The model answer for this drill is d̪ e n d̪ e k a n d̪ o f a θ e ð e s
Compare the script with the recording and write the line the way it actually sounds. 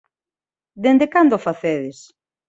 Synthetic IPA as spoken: d̪ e n d̪ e k a n d̪ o f a θ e ð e s